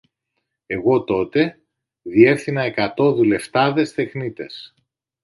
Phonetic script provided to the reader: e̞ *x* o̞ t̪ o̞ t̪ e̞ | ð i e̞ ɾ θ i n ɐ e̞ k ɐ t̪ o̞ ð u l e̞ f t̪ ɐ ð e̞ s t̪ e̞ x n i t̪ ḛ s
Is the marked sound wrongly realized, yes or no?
yes